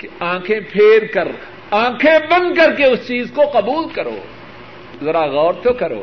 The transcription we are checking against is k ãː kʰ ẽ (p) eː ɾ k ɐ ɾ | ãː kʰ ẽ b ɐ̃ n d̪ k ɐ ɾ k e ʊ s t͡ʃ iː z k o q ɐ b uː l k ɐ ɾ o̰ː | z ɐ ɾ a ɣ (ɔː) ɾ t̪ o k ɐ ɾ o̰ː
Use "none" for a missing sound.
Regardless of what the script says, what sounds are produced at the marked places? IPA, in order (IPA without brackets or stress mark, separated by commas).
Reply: pʰ, ɔː